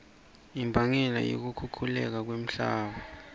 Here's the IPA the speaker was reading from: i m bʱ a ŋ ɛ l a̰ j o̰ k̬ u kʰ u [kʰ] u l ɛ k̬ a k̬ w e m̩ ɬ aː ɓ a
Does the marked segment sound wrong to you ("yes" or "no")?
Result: no